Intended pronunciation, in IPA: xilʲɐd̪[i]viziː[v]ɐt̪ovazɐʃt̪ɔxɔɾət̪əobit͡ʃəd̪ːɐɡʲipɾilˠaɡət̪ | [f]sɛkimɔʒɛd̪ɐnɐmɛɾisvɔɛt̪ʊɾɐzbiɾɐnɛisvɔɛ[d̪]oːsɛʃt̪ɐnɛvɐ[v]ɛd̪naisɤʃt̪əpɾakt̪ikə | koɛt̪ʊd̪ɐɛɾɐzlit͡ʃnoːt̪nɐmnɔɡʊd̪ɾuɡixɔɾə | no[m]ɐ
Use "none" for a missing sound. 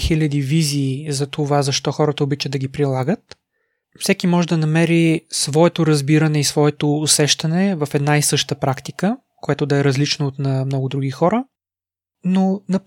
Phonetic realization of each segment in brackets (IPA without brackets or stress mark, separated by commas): i, z, f, t̪, f, n